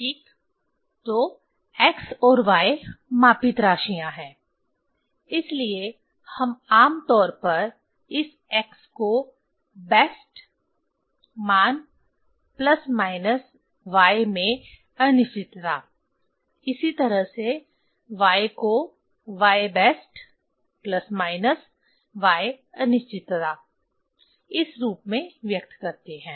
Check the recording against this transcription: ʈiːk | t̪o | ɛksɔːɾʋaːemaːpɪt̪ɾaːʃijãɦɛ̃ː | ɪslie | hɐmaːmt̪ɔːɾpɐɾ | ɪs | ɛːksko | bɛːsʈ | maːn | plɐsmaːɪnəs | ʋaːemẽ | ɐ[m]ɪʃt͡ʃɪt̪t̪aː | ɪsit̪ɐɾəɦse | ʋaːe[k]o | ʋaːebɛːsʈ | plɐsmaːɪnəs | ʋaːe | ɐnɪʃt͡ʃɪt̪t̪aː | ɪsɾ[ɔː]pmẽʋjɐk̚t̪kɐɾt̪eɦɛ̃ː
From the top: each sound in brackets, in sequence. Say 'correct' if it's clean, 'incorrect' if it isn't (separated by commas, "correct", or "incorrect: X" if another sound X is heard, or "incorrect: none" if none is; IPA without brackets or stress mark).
incorrect: n, correct, incorrect: uː